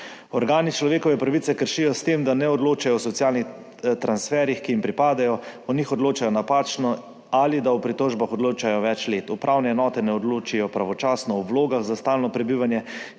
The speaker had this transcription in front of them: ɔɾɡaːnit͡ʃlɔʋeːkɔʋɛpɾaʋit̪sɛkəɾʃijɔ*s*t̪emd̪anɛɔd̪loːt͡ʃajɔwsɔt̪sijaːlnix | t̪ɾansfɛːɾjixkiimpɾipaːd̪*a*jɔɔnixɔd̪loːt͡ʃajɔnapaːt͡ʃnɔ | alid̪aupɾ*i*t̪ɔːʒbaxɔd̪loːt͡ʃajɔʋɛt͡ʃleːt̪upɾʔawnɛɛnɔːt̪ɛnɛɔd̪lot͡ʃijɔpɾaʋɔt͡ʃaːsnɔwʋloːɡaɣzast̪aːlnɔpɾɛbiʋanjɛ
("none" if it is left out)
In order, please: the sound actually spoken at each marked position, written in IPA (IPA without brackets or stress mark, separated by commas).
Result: s, a, i